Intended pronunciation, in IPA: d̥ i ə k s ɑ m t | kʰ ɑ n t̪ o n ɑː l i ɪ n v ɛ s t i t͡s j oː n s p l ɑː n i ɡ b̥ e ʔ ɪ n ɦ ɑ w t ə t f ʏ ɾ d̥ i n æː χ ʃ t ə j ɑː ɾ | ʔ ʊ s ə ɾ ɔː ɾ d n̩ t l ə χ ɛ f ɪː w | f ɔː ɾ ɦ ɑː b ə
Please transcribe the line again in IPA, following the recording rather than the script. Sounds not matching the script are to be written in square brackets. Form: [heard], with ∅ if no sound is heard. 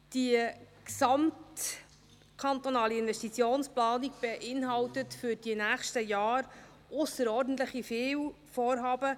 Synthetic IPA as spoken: d̥ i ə k s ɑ m t | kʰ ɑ n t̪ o n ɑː l i ɪ n v ɛ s t i t͡s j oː n s p l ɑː n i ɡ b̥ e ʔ ɪ n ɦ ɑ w t ə t f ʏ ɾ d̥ i n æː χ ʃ t ə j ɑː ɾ | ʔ ʊ s ə ɾ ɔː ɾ d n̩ t l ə χ [i] f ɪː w | f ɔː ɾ ɦ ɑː b ə